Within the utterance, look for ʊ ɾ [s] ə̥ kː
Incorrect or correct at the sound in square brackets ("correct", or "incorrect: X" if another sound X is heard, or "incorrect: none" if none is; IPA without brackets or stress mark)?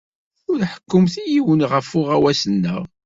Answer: incorrect: ħ